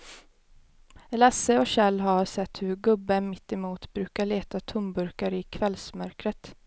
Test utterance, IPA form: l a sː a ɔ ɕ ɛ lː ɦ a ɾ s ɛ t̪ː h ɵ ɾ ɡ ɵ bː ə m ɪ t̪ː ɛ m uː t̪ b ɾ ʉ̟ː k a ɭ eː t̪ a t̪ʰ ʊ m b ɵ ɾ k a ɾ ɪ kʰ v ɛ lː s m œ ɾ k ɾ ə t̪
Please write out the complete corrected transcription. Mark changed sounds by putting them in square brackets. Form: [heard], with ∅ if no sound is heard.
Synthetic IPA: l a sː [ə] ɔ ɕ ɛ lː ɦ a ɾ s ɛ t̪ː h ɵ ɾ ɡ ɵ bː ə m ɪ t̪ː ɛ m uː t̪ b ɾ ʉ̟ː k a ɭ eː t̪ a t̪ʰ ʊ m b ɵ ɾ k a ɾ ɪ kʰ v ɛ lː s m œ ɾ k ɾ ə t̪